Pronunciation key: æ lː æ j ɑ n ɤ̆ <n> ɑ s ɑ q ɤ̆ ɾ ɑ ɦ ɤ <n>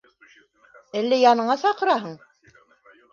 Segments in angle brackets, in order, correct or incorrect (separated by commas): incorrect, incorrect